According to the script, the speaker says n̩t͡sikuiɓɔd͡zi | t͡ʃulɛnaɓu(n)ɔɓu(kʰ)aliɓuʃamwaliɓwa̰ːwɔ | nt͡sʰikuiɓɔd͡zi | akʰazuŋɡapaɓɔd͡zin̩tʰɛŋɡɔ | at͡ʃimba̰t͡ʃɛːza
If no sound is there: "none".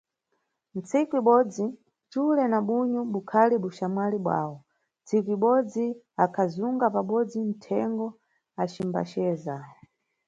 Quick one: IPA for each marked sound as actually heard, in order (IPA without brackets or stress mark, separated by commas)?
ɲ, kʰ